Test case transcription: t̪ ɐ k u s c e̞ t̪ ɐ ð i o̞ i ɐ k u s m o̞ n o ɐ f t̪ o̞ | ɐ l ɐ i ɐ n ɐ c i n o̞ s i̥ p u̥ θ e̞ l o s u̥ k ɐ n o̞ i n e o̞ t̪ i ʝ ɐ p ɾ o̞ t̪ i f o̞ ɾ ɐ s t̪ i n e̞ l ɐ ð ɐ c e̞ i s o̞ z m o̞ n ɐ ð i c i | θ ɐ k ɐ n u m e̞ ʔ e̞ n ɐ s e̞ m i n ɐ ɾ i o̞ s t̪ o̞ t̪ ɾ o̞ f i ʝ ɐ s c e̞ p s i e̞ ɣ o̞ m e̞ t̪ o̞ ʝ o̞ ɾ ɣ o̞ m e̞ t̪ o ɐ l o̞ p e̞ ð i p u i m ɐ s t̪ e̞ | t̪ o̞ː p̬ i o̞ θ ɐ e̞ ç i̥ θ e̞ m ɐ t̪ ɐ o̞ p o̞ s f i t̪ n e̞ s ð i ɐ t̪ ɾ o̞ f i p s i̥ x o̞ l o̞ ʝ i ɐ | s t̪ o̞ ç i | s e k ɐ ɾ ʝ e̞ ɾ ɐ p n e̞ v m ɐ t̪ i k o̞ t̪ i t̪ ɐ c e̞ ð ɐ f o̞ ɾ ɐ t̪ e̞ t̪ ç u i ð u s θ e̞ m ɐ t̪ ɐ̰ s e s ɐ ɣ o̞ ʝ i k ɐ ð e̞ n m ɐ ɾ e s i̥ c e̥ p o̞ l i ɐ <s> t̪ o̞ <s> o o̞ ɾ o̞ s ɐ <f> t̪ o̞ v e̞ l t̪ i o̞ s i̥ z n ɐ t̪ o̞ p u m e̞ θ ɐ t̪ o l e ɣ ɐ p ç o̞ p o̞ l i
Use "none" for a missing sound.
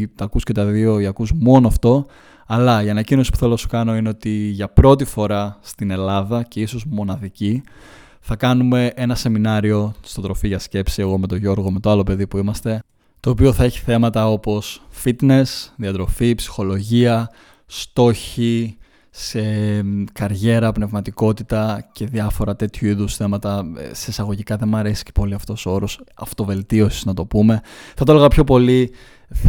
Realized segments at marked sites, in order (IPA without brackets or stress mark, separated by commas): f, s, f